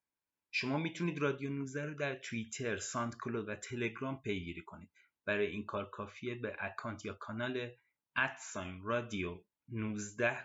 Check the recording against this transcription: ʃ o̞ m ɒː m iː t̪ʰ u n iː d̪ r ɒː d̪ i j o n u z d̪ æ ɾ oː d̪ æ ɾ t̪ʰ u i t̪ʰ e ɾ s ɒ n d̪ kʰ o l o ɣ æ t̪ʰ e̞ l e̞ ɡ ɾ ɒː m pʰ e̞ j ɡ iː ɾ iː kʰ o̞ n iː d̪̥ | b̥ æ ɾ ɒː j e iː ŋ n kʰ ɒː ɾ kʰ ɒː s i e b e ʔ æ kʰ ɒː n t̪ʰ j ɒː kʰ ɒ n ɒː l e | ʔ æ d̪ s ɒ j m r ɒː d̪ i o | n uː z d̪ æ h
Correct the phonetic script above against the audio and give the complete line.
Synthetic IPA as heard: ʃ o̞ m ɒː m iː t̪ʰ u n iː d̪ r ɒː d̪ i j o n u z d̪ æ ɾ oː d̪ æ ɾ t̪ʰ u i t̪ʰ e ɾ s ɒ n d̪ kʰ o l o v æ t̪ʰ e̞ l e̞ ɡ ɾ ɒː m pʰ e̞ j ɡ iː ɾ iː kʰ o̞ n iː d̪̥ | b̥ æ ɾ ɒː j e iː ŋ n kʰ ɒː ɾ kʰ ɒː f i e b e ʔ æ kʰ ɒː n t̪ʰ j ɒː kʰ ɒ n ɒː l e | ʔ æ t̪ s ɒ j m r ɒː d̪ i o | n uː z d̪ æ h